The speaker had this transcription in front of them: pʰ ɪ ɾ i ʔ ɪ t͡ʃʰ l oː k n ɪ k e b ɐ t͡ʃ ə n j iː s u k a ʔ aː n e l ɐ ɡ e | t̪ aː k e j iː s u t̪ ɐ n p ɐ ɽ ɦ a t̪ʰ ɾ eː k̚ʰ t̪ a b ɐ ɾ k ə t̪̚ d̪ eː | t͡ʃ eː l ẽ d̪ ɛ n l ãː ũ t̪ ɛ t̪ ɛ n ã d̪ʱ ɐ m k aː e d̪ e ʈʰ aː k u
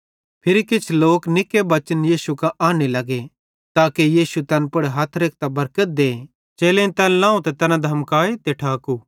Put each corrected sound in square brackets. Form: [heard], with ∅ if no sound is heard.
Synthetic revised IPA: pʰ ɪ ɾ i [k] ɪ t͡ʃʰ l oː k n ɪ k e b ɐ t͡ʃ ə n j iː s u k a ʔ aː n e l ɐ ɡ e | t̪ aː k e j iː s u t̪ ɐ n p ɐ ɽ ɦ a t̪ʰ ɾ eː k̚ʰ t̪ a b ɐ ɾ k ə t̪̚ d̪ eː | t͡ʃ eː l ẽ [t̪] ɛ n l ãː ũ t̪ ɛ t̪ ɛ n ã d̪ʱ ɐ m k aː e [t̪] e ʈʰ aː k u